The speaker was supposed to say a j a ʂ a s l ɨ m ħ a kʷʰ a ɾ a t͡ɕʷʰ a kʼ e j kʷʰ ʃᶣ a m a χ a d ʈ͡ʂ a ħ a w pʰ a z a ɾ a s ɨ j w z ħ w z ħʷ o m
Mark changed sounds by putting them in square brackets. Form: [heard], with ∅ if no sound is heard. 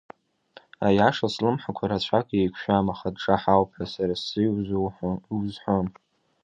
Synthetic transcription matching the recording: a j a ʂ a s l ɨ m ħ a kʷʰ a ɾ a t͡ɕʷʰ a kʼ e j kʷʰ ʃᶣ a m a χ a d ʈ͡ʂ a ħ a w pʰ a [s] a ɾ a s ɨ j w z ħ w z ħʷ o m